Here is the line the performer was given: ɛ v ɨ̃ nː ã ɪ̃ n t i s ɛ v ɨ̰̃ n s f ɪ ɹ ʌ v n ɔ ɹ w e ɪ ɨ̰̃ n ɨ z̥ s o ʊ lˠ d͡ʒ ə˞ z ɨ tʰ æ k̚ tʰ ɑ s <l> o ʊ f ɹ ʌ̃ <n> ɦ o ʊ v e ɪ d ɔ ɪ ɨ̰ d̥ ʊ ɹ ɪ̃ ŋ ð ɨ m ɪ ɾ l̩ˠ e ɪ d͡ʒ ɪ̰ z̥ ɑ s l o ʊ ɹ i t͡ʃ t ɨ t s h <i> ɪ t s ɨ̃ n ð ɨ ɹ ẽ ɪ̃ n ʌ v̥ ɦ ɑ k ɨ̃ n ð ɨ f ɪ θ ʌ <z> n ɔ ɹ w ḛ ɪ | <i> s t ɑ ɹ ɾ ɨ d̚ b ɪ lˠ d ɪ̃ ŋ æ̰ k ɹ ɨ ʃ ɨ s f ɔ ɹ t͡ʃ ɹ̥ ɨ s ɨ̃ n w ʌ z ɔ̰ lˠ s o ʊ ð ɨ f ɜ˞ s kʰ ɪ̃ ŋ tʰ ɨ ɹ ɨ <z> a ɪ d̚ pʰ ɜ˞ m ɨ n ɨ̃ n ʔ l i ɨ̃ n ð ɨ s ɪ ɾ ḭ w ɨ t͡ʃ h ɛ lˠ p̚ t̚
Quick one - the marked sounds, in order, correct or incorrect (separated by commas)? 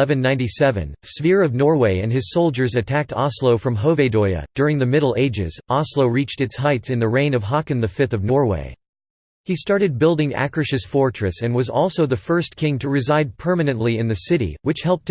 correct, incorrect, incorrect, incorrect, correct, correct